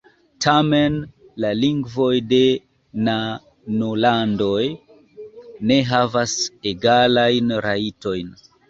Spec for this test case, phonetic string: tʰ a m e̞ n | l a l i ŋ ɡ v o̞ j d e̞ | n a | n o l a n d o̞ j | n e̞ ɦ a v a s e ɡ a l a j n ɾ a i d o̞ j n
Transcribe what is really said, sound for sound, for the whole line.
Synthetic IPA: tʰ a m e̞ n | l a l i ŋ ɡ v o̞ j d e̞ | n a | n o l a n d o̞ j | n e̞ ɦ a v a s e ɡ a l a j n ɾ a i t o̞ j n